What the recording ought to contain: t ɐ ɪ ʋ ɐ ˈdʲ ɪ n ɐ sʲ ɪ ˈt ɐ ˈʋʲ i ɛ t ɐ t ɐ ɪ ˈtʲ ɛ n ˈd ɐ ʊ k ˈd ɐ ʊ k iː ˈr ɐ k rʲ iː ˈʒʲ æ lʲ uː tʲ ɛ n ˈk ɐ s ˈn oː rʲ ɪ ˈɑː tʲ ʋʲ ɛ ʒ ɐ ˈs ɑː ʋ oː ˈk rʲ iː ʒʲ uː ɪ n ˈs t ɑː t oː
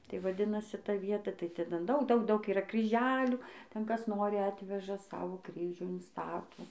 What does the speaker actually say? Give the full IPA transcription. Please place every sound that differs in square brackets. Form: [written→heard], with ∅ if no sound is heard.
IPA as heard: t ɐ ɪ ʋ ɐ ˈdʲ ɪ n ɐ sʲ ɪ ˈt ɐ ˈʋʲ i ɛ t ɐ t ɐ ɪ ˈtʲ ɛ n ˈd ɐ ʊ k ˈd ɐ ʊ k iː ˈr ɐ k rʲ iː ˈʒʲ [æ→æː] lʲ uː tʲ ɛ n ˈk ɐ s ˈn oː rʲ ɪ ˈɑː tʲ ʋʲ ɛ ʒ ɐ ˈs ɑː ʋ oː ˈk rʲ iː ʒʲ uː ɪ n ˈs t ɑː t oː